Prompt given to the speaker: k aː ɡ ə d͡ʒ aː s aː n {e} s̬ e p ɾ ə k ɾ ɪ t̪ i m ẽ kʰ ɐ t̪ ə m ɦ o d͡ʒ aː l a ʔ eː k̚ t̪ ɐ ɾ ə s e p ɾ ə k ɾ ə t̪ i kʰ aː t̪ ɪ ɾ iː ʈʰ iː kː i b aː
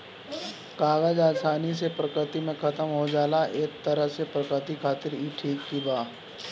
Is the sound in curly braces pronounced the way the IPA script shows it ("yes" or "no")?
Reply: no